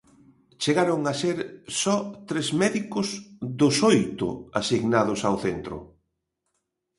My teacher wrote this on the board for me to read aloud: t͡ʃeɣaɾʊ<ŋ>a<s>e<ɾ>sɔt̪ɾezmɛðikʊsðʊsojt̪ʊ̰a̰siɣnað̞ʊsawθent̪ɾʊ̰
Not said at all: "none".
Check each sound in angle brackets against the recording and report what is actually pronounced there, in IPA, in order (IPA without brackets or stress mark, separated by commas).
ŋ, s, ɾ